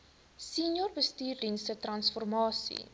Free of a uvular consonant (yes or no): yes